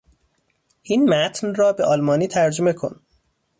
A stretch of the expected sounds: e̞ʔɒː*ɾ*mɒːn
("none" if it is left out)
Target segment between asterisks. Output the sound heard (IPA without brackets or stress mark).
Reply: l